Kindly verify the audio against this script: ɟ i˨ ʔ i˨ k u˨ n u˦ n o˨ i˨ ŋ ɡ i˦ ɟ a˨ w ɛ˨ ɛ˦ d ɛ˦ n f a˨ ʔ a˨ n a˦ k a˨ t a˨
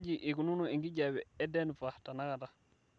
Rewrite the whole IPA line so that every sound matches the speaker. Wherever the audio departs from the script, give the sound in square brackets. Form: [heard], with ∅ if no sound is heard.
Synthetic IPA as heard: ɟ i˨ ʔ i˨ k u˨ n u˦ n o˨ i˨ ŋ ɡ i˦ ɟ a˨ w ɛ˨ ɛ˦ d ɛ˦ n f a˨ [t] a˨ n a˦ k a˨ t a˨